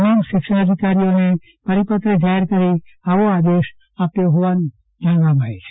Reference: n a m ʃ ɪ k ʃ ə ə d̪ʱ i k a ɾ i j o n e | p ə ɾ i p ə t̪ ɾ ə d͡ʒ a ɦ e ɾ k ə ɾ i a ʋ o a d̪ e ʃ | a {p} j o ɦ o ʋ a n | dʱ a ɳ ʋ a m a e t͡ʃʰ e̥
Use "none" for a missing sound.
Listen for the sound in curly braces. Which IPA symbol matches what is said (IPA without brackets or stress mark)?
p